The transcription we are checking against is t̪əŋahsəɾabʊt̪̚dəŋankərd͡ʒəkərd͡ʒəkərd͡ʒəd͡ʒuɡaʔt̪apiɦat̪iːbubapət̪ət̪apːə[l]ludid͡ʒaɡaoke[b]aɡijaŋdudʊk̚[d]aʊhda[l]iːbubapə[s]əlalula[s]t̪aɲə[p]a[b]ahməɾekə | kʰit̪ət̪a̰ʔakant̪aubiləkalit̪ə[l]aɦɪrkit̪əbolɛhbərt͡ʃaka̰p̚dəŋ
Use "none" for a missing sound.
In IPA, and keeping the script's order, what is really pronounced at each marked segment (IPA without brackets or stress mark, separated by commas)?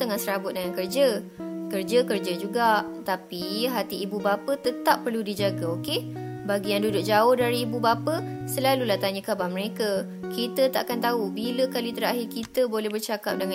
r, b, d͡ʒ, ɾ, s, h, k, b, ɾ